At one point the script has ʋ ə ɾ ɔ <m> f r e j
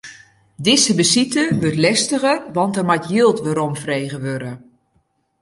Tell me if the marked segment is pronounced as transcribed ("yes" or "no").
yes